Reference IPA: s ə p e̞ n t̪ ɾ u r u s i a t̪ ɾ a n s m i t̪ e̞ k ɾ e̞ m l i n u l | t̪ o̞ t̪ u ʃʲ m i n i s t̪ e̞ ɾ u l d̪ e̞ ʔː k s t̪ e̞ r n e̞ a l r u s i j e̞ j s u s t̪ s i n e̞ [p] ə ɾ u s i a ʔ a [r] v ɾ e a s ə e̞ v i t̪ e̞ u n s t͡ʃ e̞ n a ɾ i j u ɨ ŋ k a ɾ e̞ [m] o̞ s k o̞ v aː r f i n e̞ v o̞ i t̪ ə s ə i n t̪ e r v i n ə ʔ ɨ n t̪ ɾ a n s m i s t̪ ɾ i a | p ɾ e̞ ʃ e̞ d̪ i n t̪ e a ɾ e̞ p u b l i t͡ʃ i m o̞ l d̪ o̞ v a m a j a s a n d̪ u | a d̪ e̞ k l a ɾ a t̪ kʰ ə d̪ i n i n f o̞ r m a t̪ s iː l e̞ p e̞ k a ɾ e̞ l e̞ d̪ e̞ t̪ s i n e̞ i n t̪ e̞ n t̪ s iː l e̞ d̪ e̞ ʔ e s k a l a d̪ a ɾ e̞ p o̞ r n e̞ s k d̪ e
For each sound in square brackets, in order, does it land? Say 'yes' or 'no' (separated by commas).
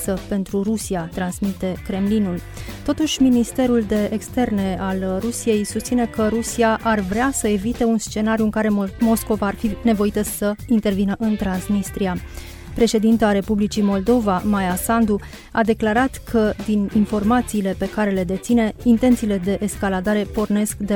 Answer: no, yes, yes